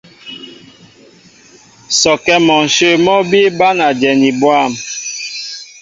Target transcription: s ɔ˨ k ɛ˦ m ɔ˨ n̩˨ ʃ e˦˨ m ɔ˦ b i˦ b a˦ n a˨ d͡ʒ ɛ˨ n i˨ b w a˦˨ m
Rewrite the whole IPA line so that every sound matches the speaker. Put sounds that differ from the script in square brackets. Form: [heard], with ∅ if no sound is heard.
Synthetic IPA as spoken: s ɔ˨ k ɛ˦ m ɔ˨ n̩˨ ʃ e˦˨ m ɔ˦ b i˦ b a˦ n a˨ d͡ʒ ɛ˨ n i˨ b w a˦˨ m